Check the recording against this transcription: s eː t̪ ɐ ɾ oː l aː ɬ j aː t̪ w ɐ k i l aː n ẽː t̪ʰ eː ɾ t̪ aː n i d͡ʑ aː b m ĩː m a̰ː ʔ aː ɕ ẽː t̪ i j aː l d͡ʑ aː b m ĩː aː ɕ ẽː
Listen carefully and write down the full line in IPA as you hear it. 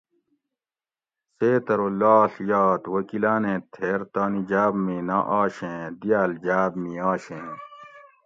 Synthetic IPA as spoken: s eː t̪ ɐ ɾ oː l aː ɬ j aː t̪ w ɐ k i l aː n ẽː t̪ʰ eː ɾ t̪ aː n i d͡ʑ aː b m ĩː n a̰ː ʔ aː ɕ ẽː d̪ i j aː l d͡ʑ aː b m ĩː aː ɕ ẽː